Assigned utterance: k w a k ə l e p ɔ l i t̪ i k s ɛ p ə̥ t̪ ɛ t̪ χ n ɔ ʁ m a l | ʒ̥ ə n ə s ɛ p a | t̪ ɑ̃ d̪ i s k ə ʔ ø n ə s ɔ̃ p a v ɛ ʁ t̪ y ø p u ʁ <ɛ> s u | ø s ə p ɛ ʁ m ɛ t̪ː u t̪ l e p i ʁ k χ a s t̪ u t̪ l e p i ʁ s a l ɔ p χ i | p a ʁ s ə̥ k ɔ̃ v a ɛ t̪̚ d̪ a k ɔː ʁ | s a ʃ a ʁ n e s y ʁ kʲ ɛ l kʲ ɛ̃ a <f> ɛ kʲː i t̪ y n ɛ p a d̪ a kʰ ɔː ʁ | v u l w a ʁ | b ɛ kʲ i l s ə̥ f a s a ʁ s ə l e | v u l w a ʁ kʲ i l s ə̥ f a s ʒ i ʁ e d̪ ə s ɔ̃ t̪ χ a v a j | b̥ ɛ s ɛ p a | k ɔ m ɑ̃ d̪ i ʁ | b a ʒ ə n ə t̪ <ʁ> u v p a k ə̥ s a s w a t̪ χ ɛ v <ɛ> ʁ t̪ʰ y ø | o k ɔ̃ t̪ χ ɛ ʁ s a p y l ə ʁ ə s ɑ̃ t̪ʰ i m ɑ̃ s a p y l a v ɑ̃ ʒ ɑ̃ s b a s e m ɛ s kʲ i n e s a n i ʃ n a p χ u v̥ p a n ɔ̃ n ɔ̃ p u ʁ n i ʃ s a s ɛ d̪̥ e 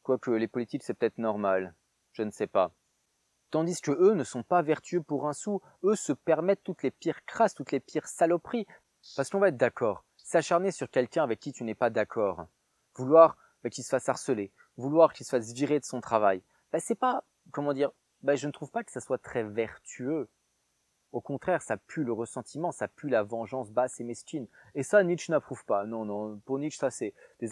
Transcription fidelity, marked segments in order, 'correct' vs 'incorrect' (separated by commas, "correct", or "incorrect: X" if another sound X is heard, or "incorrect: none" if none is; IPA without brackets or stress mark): incorrect: ɛ̃, incorrect: v, incorrect: χ, correct